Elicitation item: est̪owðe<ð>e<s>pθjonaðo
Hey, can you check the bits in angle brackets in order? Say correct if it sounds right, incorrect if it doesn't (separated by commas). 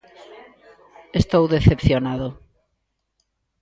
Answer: incorrect, incorrect